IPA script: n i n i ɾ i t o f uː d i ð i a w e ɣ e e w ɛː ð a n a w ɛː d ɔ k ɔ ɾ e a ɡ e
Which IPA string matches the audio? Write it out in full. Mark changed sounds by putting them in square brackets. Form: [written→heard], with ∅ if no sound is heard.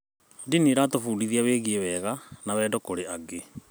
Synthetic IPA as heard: [n→d] i n i ɾ [i→a] t o f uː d i ð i a w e ɣ [e→i] e w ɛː [ð→ɣ] a n a w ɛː d ɔ k [ɔ→o] ɾ e a ɡ e